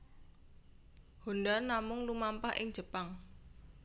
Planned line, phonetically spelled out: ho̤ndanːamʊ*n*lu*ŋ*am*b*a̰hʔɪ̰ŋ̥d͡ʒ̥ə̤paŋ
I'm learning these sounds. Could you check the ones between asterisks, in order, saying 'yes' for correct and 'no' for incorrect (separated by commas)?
no, no, no